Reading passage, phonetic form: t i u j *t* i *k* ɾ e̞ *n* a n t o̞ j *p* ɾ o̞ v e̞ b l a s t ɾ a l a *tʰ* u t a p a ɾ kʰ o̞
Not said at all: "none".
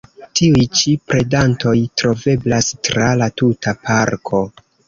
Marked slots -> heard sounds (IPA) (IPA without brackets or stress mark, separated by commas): t͡ʃ, p, d, t, t